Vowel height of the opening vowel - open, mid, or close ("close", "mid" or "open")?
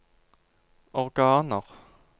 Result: mid